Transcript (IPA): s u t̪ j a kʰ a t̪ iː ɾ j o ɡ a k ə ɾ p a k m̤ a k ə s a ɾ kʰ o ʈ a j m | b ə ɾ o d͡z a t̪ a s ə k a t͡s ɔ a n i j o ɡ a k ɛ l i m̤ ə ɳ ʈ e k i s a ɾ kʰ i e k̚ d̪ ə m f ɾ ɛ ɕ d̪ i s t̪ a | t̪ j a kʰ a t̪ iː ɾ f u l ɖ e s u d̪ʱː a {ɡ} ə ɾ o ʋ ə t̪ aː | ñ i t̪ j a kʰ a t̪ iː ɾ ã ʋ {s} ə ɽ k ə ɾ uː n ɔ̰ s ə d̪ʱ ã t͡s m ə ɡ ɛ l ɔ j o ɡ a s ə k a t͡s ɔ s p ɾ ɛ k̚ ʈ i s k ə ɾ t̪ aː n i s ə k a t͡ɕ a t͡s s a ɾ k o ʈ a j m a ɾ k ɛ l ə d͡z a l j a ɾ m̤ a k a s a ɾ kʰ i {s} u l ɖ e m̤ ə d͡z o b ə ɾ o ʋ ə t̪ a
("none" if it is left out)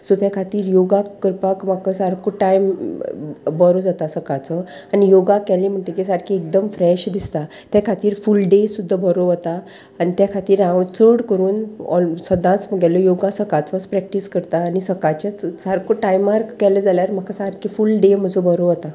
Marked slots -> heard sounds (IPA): b, t͡s, f

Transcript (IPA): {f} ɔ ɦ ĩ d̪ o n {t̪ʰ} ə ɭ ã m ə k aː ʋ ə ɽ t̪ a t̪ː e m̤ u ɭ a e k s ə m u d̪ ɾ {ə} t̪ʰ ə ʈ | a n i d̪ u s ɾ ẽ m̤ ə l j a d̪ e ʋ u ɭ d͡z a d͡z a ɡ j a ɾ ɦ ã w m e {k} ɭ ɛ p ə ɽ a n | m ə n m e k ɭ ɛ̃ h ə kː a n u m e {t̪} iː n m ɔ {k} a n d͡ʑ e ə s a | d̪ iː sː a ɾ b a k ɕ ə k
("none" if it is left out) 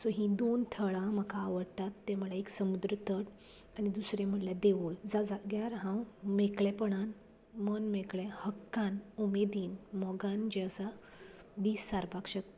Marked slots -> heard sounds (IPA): s, t̪ʰ, ə, k, d̪, ɡ

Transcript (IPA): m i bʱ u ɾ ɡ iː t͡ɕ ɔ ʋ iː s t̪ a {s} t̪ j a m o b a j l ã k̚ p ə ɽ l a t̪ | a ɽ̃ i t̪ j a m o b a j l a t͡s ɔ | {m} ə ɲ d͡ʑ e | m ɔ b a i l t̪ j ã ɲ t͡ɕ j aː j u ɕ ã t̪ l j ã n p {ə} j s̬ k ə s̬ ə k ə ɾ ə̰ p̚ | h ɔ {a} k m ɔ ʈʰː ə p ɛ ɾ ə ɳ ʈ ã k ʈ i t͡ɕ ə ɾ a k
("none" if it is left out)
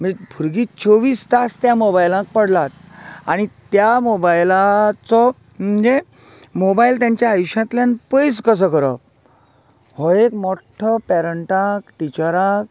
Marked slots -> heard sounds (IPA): s, m, ə, e

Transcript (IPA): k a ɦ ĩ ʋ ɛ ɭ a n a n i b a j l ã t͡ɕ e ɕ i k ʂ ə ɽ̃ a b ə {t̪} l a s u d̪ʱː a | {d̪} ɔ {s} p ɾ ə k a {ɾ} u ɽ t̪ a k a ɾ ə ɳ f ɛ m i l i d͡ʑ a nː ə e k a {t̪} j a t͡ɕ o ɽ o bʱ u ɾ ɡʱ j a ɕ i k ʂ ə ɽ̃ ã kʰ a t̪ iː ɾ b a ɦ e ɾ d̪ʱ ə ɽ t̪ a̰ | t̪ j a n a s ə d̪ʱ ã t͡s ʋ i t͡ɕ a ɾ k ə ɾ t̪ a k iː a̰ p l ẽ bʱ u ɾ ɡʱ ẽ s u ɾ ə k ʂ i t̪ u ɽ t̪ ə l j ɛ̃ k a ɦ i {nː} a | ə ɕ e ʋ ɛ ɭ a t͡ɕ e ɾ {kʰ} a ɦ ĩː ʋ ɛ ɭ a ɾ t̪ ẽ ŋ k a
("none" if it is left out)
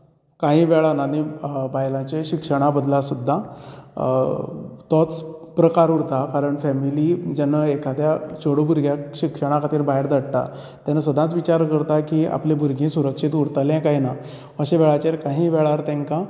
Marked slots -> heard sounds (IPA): d̪, t̪, t͡s, ɾ, d̪, n, k

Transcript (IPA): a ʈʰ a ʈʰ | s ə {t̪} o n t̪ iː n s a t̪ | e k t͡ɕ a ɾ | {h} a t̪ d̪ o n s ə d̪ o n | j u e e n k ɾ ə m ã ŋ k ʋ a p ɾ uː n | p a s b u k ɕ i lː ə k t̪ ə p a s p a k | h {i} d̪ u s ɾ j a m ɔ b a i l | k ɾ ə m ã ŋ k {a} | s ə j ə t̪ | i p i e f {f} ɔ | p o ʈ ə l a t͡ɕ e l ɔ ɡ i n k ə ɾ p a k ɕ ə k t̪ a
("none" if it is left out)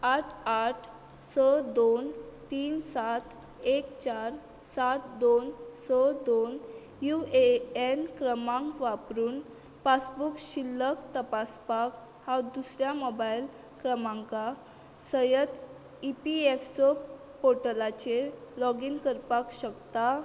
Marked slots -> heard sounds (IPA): d̪, s, a, a, s

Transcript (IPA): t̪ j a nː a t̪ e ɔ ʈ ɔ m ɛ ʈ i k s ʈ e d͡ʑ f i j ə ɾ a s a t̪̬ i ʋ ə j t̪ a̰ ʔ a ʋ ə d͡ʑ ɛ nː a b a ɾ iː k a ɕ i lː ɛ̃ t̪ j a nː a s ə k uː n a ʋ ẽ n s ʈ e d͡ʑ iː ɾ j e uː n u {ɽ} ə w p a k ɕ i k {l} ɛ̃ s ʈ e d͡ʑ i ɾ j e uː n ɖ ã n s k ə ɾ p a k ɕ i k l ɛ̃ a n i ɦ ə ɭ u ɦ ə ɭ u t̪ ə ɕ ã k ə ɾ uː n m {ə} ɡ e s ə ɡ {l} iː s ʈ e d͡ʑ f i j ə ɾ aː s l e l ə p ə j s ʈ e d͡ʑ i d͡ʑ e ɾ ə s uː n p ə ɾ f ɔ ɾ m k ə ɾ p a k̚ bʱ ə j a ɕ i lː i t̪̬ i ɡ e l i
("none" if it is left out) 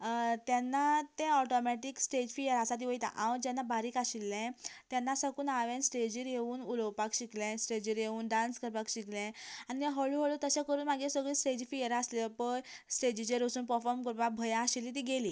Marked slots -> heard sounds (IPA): l, l, a, ɭ

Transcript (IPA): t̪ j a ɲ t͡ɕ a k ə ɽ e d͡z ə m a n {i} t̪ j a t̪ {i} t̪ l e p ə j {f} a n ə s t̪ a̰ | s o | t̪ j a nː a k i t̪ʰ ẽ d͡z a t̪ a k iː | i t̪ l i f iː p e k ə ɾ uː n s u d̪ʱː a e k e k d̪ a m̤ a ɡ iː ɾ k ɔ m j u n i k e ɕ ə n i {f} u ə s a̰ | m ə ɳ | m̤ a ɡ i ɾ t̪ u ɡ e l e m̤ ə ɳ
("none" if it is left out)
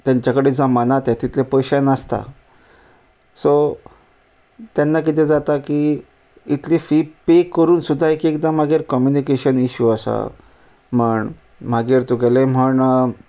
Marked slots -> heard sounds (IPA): a, i, ɕ, ɕ

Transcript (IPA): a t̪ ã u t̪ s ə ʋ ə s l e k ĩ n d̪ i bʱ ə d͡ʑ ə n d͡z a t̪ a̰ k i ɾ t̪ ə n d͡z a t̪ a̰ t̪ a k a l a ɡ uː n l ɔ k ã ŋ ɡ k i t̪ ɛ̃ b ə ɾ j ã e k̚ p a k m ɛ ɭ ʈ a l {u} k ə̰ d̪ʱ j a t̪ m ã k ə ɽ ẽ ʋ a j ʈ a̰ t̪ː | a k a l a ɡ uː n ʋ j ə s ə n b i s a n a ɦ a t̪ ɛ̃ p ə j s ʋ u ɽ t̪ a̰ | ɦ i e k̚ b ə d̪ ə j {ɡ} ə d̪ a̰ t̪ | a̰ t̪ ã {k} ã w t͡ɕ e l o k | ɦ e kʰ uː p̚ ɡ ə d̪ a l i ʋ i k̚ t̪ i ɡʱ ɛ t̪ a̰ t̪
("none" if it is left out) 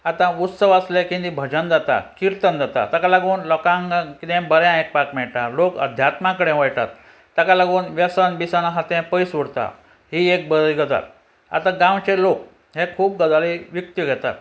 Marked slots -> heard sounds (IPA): o, ɡ, ɡ

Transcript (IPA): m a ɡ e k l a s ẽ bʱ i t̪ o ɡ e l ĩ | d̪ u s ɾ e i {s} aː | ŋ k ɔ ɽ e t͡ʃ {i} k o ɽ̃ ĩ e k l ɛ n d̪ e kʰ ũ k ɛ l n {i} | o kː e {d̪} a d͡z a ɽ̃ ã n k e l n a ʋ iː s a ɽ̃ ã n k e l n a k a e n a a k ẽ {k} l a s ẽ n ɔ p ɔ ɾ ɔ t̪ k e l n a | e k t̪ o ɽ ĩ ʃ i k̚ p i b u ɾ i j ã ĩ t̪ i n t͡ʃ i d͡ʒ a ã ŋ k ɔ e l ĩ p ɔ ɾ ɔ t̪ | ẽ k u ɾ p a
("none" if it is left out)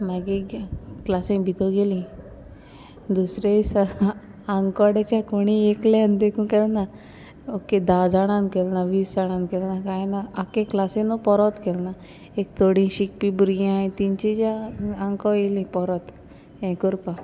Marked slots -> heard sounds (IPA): s, a, a, d̪, k

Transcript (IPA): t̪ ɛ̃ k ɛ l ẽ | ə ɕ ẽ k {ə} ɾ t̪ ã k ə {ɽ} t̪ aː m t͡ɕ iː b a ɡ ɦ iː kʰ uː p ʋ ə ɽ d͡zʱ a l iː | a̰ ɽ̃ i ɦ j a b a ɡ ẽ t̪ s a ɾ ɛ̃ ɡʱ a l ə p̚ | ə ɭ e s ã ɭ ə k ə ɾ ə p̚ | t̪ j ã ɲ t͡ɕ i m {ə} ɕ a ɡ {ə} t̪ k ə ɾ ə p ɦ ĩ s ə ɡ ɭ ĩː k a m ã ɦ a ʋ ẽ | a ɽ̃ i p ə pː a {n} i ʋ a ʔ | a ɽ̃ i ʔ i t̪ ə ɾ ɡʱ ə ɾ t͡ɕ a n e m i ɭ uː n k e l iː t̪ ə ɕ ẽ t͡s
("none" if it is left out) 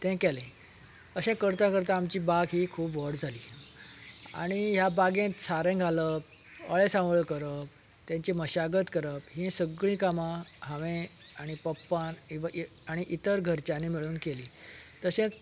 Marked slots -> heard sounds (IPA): ə, ɾ, ə, ə, n

